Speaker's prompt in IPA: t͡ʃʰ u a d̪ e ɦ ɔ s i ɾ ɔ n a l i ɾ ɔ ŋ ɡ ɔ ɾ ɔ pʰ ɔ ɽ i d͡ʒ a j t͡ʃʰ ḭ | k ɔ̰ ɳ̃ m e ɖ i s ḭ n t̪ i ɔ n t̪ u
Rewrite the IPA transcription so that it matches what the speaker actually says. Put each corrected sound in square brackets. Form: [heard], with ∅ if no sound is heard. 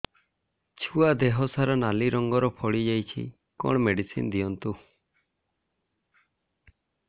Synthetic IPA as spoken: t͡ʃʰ u a d̪ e ɦ ɔ s [a] ɾ ɔ n a l i ɾ ɔ ŋ ɡ ɔ ɾ ɔ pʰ ɔ ɽ i d͡ʒ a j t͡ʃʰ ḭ | k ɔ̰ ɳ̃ m e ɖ i s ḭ n [d̪] i ɔ n t̪ u